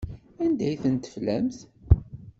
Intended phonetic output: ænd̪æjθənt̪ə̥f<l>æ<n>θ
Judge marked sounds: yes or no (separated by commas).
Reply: yes, no